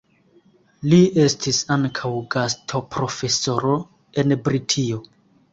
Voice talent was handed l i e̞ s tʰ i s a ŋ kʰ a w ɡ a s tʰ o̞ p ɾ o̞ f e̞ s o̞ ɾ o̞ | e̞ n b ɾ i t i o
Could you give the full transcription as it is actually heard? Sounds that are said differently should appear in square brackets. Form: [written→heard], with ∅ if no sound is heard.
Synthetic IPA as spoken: l i e̞ s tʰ i s a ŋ kʰ a w ɡ a s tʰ o̞ p ɾ o̞ f e̞ s o̞ ɾ o̞ | e̞ n b ɾ i [t→tʰ] i o